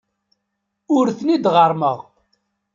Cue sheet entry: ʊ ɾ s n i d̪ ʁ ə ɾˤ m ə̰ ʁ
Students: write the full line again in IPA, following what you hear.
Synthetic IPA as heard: ʊ ɾ θ n i d̪ ʁ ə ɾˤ m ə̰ ʁ